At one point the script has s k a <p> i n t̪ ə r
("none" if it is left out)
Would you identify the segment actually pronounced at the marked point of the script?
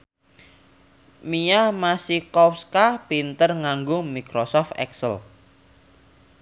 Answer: p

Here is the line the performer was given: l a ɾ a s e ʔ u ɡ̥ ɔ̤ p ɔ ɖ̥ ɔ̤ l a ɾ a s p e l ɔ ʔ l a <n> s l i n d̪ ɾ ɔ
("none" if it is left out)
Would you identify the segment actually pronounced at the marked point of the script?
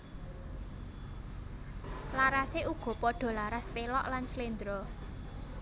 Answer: n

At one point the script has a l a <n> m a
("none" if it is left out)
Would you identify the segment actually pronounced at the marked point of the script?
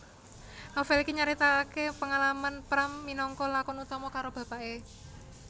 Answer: none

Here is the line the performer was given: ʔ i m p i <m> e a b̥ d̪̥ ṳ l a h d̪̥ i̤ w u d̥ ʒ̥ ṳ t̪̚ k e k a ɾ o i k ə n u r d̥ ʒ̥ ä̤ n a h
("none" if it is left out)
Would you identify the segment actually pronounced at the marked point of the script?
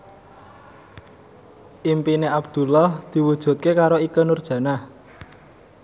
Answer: n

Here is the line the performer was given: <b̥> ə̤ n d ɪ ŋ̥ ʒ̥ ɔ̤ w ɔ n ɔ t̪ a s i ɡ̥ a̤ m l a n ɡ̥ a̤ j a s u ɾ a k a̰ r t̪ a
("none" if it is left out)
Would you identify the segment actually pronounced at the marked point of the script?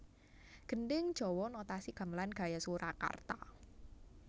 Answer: ɡ̥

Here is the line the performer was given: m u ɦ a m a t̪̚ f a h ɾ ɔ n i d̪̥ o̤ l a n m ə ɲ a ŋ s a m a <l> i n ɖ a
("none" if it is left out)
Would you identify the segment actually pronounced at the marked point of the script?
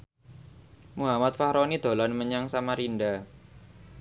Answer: ɾ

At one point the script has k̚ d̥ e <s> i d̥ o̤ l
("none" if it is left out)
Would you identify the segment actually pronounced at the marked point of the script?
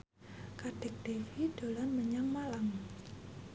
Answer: f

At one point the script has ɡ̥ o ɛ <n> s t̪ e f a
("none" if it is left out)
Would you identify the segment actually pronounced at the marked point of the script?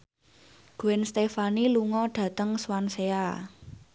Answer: n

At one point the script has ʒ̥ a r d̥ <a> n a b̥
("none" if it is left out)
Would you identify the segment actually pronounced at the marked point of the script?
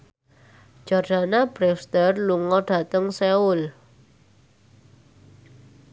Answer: a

